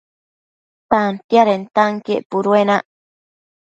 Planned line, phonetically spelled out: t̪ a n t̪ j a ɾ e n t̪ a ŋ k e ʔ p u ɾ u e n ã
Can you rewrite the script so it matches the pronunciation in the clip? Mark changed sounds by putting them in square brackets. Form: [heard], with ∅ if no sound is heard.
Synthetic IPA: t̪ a n t̪ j a ɾ e n t̪ a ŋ k e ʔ p u ɾ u e n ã